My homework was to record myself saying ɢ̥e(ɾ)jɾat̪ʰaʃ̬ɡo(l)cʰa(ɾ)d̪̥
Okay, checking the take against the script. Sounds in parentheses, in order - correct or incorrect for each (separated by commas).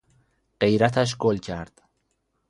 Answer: incorrect, correct, correct